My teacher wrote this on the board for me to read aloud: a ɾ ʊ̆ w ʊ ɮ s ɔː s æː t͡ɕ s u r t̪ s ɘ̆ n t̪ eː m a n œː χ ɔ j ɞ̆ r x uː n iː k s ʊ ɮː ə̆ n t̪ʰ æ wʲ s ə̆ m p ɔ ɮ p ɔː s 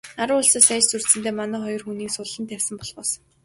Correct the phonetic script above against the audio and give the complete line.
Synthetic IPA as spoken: a ɾ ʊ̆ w ʊ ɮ s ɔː s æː t͡ɕ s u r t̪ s ɘ̆ n t̪ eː m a n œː χ ɔ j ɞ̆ r x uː n iː k s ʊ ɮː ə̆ n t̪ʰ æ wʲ s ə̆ m p ɔ ɮ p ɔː s

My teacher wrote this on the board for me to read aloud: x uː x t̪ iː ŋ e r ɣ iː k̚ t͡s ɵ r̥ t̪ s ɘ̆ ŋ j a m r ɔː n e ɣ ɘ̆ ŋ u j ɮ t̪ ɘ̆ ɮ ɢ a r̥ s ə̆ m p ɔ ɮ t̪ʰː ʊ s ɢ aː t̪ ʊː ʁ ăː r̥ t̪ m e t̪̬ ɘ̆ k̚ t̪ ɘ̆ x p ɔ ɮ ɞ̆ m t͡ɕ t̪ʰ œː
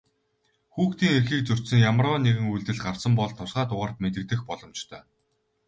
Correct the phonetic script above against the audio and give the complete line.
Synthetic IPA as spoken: x uː x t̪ iː ŋ e r x iː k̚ t͡s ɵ r̥ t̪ s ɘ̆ ŋ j a m r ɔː n e ɣ ɘ̆ ŋ u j ɮ t̪ ɘ̆ ɮ ɢ a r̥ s ə̆ m p ɔ ɮ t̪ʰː ʊ s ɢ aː t̪ ʊ ʁ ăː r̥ t̪ m e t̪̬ ɘ̆ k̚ t̪ ɘ̆ x p ɔ ɮ ɞ̆ m t͡ɕ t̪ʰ œː

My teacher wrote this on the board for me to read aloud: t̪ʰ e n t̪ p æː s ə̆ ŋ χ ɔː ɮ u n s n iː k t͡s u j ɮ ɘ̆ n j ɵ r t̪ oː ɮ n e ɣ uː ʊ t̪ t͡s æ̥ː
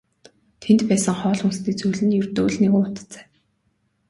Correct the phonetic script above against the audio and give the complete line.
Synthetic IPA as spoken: t̪ʰ e n t̪ p æː s ə̆ ŋ χ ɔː ɮ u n s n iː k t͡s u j ɮ ɘ̆ n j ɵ r t̪ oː ɮ n e ɣ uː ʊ t̪ t͡s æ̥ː

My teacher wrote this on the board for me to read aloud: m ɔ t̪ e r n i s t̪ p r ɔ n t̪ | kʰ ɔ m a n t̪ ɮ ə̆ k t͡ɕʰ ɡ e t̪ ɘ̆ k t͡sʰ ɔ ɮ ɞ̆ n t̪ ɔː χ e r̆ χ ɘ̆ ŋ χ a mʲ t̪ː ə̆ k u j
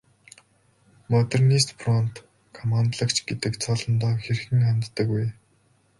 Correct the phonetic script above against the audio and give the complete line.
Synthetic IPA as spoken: m ɔ t̪ e r n i s t̪ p r ɔ n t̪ | kʰ ɔ m a n t̪ ɮ ə̆ k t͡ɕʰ ɡ e t̪ ɘ̆ k t͡sʰ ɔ ɮ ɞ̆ n t̪ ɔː x e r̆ x ɘ̆ ŋ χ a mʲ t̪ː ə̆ k u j

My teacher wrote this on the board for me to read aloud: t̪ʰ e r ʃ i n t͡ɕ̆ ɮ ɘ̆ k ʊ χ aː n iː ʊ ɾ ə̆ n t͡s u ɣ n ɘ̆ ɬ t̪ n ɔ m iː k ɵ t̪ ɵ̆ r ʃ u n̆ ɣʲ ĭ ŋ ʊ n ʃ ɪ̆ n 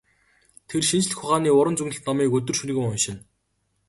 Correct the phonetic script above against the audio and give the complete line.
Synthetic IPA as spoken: t̪ʰ e r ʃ i n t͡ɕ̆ ɮ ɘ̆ x ʊ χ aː n iː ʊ ɾ ə̆ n t͡s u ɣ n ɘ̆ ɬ t̪ n ɔ m iː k ɵ t̪ ɵ̆ r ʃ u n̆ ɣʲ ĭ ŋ ʊ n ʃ ɪ̆ n

